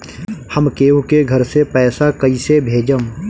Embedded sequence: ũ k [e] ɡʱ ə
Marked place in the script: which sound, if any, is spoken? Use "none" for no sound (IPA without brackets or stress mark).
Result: e